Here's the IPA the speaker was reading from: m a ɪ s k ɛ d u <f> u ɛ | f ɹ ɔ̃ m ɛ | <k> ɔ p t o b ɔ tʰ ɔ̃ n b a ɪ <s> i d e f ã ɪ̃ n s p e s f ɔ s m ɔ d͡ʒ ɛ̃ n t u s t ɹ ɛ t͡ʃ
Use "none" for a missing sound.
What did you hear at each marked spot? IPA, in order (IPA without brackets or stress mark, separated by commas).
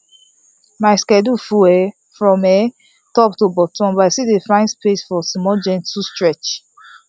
f, t, s